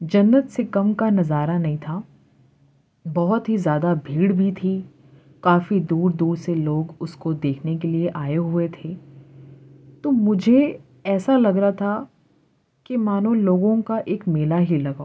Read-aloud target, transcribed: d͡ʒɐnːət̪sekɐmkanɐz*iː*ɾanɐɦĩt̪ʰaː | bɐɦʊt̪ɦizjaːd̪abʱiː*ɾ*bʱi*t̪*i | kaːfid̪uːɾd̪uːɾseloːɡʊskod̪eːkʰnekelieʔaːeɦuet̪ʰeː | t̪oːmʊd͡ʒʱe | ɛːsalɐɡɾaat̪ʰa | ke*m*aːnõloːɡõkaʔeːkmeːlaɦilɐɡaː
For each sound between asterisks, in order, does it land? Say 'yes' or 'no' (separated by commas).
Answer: no, no, no, yes